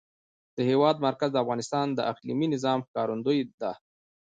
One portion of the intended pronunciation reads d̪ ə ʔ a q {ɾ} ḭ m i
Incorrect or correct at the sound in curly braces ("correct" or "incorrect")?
incorrect